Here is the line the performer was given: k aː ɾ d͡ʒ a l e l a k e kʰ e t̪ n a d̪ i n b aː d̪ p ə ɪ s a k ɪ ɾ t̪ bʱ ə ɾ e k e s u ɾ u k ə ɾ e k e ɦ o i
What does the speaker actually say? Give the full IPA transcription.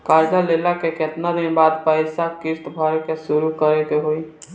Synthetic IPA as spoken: k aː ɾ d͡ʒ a l e l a k e k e t̪ n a d̪ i n b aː d̪ p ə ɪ s a k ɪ ɾ t̪ bʱ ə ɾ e k e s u ɾ u k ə ɾ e k e ɦ o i